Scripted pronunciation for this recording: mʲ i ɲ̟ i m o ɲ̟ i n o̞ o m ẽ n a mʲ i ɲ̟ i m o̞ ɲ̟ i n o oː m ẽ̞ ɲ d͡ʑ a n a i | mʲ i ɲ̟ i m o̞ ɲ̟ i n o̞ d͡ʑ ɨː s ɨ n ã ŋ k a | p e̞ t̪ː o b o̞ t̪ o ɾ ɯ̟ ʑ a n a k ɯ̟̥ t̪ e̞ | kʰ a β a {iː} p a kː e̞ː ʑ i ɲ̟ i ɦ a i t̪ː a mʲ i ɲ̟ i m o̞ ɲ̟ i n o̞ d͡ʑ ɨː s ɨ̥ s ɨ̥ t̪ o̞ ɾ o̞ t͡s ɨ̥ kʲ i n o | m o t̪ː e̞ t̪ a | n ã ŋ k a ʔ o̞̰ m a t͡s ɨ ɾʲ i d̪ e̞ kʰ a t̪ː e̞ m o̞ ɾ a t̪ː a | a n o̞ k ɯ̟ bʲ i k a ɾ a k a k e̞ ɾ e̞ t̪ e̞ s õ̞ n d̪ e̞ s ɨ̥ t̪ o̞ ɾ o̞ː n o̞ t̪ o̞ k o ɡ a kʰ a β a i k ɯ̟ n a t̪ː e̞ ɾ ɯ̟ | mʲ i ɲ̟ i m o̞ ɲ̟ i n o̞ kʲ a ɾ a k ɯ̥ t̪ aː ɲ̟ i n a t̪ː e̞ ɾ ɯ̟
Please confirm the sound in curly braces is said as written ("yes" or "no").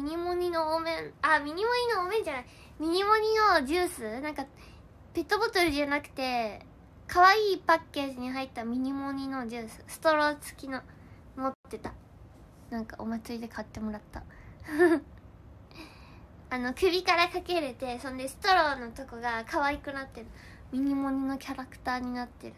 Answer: yes